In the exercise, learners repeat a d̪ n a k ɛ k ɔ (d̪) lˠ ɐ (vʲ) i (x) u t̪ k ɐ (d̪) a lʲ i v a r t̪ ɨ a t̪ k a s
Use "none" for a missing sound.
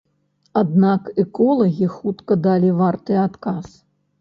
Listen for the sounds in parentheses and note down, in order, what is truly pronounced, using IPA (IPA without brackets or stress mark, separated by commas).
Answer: none, ɣʲ, x, d̪